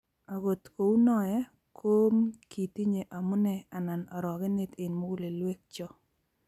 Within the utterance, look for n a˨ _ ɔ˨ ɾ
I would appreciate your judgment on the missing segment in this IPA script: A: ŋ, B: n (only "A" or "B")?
B